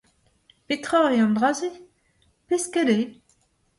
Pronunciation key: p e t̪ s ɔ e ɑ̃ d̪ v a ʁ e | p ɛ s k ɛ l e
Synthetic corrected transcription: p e t̪ χ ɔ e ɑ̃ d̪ ʁ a z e | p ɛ s k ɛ l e